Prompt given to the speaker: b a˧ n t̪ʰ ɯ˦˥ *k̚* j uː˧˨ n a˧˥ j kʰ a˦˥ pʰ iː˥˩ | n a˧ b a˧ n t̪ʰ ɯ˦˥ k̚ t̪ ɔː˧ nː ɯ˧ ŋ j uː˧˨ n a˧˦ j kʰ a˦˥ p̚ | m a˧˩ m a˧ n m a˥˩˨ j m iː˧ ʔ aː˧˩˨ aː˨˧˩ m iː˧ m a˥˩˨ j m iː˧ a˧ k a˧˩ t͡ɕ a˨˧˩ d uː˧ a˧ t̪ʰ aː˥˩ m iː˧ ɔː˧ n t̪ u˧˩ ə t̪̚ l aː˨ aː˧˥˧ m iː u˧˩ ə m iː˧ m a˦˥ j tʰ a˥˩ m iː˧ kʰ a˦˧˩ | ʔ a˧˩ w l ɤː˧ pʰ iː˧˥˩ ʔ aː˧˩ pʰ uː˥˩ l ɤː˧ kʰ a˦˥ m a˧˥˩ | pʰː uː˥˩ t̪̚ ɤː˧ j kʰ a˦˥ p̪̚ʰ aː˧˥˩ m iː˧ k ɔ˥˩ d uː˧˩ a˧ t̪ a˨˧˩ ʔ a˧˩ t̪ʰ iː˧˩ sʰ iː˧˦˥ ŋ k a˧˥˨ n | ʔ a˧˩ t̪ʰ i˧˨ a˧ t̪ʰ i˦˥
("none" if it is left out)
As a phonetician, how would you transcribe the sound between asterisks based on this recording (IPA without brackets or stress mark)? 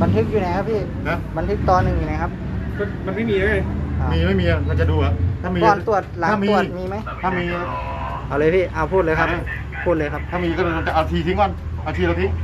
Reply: k̚